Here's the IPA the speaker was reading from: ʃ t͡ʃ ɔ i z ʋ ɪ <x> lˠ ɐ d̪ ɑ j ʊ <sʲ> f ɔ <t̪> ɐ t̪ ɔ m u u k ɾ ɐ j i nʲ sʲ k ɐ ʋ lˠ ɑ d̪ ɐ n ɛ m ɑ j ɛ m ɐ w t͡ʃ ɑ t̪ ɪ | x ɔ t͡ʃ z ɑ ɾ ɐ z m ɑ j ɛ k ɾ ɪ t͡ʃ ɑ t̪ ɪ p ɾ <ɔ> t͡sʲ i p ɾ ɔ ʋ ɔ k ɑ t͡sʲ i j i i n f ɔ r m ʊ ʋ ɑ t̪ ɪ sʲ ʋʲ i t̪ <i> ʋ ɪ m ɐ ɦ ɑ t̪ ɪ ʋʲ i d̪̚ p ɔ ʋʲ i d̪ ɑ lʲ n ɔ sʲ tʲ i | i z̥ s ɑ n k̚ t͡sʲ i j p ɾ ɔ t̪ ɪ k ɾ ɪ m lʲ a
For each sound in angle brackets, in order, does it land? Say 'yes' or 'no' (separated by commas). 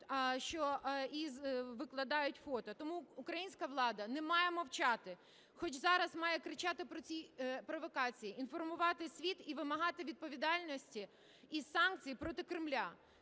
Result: no, no, yes, yes, yes